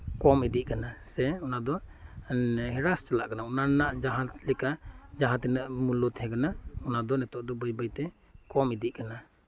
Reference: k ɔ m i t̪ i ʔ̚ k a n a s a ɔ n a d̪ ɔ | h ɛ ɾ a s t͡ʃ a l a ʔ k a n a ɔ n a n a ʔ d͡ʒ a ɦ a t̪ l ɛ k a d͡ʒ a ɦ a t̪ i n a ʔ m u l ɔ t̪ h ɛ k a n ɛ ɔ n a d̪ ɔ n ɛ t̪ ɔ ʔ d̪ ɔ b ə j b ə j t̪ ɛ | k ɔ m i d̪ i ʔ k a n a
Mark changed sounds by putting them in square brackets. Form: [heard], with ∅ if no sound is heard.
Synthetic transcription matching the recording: k ɔ m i [d̪] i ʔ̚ k a n a s [ɛ] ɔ n a d̪ ɔ | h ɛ ɾ a s t͡ʃ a l a ʔ k a n a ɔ n a n a ʔ d͡ʒ a ɦ a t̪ l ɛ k a d͡ʒ a ɦ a t̪ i n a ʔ m u l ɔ t̪ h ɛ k a n [a] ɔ n a d̪ ɔ n ɛ t̪ ɔ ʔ d̪ ɔ b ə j b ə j t̪ ɛ | k ɔ m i d̪ i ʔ k a n a